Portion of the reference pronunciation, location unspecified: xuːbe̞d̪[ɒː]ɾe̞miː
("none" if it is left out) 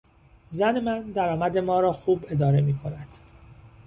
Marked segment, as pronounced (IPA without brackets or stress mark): ɒː